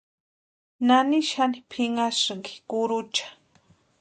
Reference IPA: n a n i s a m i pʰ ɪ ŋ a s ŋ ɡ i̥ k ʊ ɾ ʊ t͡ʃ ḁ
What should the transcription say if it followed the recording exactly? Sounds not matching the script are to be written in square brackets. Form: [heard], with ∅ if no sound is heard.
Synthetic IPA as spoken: n a n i [ʃ] a [n] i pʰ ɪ ŋ a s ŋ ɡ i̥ k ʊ ɾ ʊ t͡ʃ ḁ